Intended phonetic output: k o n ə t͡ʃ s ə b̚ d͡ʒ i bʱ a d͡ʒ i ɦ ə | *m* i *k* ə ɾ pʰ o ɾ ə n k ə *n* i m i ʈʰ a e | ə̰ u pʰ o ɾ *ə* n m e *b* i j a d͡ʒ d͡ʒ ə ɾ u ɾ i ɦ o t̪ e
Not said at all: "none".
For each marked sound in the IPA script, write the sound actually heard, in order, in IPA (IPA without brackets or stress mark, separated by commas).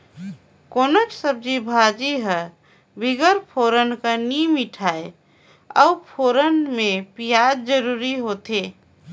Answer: b, ɡ, n, ə, p